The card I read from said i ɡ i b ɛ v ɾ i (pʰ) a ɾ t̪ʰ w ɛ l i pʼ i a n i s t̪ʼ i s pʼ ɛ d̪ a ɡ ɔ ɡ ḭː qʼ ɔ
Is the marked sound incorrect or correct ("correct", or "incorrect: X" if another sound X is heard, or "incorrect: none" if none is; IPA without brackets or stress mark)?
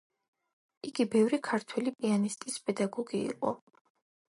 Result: incorrect: kʰ